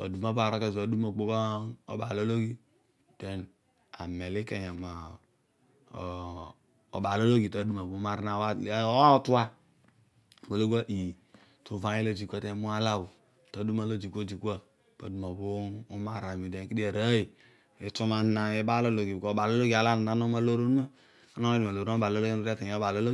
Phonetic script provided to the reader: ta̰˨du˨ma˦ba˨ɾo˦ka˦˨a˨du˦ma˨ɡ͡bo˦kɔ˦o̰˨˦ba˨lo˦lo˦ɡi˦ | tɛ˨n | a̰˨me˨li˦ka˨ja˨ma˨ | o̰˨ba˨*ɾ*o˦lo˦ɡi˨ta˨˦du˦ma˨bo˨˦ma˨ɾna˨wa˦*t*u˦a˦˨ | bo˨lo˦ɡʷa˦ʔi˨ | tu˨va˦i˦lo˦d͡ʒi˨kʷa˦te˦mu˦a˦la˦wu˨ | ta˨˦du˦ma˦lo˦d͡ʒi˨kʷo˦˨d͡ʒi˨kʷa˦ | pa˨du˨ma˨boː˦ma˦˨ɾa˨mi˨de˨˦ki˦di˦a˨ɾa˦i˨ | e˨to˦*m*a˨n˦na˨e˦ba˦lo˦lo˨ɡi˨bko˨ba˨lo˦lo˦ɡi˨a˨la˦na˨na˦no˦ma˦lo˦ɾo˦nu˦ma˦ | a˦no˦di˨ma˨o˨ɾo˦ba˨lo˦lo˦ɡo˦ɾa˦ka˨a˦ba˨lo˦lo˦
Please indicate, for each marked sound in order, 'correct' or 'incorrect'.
incorrect, correct, correct

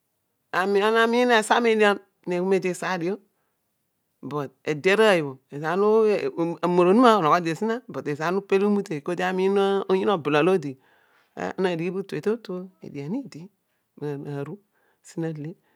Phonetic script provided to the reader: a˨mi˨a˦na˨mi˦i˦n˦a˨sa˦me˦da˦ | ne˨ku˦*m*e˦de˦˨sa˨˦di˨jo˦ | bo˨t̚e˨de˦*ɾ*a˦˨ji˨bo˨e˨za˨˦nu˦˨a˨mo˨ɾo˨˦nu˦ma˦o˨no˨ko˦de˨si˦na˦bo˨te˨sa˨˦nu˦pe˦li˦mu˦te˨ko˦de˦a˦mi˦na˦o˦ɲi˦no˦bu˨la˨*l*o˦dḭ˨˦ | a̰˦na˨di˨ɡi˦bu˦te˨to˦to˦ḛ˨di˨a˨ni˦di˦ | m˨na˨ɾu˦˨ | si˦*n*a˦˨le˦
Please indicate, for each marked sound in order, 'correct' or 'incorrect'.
correct, correct, correct, correct

